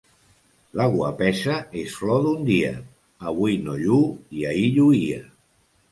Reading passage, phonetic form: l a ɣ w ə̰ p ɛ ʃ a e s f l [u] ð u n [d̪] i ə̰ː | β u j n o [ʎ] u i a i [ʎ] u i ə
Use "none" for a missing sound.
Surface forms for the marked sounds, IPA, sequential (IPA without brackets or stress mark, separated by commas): ɔ, d̪, ʎ, ʎ